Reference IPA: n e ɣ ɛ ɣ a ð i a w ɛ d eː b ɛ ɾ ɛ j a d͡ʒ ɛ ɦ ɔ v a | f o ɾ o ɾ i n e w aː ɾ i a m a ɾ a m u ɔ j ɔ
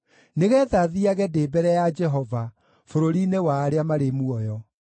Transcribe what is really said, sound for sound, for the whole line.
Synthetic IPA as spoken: n e ɣ ɛ ð a ð i a ɣ ɛ d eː b ɛ ɾ ɛ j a d͡ʒ ɛ ɦ ɔ v a | f o ɾ o ɾ i n e w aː ɾ e a m a ɾ e m u ɔ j ɔ